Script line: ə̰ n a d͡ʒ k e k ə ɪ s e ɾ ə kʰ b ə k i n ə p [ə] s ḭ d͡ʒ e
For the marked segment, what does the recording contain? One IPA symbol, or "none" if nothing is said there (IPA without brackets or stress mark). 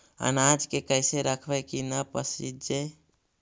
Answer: ə